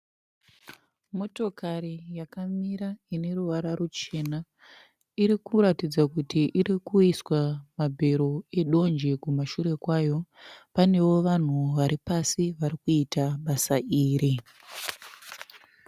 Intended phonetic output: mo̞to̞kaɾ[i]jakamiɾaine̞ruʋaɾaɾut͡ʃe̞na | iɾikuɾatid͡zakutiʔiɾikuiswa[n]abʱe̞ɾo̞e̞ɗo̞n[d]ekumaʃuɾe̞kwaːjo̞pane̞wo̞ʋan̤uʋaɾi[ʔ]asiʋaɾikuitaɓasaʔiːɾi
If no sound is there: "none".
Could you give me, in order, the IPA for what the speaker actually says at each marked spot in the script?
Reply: i, m, d͡ʒ, p

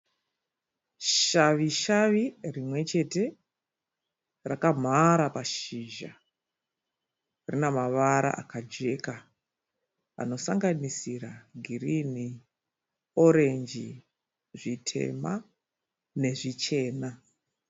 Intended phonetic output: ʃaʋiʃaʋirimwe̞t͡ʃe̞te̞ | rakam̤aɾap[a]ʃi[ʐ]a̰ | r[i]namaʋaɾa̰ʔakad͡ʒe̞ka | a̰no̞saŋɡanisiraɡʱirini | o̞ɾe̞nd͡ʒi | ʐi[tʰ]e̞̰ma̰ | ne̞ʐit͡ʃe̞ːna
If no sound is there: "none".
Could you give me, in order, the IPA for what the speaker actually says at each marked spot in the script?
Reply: a, ʒ, i, tʰ

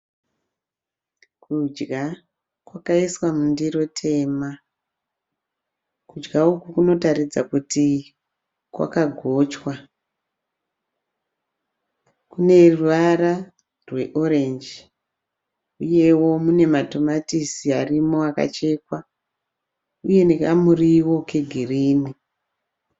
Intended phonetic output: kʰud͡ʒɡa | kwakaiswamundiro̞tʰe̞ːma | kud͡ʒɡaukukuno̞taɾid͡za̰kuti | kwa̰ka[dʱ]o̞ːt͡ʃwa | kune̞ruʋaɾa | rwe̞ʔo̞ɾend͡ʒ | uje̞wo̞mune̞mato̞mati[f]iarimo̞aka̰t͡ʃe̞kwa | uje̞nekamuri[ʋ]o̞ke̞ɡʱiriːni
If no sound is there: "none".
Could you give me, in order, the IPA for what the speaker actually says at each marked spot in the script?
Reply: ɡʱ, s, w

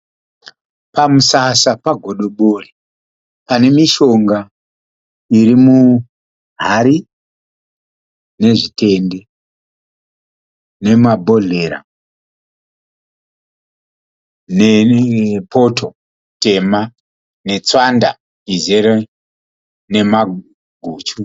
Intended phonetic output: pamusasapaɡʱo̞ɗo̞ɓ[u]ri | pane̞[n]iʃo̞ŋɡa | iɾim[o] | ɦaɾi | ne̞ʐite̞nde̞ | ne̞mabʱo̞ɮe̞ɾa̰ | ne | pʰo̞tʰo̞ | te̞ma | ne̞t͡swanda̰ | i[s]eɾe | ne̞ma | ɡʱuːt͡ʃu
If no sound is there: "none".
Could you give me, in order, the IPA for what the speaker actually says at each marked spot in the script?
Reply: o, m, u, z

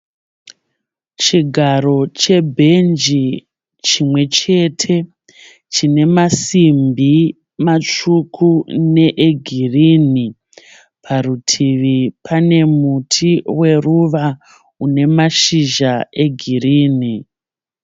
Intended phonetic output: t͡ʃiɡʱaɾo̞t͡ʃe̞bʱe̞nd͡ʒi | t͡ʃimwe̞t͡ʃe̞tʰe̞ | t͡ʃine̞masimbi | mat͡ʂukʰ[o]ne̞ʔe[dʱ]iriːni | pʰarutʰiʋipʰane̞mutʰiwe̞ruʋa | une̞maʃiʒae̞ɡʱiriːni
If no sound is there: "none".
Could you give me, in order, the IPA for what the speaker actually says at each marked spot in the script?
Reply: u, ɡʱ

